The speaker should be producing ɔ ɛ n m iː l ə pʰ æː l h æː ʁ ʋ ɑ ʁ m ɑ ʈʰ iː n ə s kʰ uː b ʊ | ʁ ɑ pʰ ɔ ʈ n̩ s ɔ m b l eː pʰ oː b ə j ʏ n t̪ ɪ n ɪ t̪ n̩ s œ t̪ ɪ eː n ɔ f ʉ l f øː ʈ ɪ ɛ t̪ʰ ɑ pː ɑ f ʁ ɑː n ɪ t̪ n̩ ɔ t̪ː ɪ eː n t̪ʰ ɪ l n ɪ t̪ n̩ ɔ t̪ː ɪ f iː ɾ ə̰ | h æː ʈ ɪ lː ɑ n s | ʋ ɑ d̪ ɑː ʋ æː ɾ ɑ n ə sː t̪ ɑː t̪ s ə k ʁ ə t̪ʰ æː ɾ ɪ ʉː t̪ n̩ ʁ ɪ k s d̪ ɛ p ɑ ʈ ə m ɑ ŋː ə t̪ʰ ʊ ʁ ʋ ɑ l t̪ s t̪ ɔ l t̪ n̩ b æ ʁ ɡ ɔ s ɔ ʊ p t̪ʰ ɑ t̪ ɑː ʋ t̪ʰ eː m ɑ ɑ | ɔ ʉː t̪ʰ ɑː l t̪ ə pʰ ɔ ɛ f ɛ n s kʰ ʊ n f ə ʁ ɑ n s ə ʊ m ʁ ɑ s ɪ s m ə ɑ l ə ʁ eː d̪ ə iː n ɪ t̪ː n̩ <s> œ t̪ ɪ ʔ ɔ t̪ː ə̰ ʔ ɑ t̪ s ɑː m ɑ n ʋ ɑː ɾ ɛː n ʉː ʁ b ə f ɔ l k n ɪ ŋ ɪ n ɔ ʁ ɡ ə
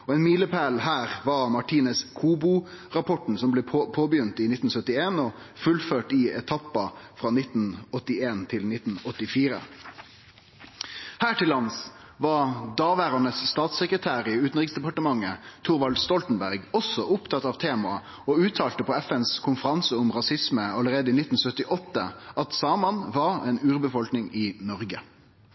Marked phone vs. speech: correct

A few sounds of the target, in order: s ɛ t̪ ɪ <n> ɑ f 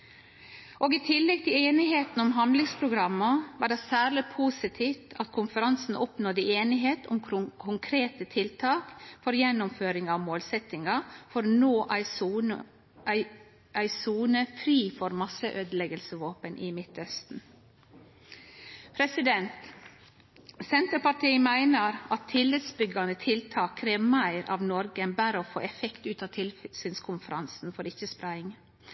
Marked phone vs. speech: incorrect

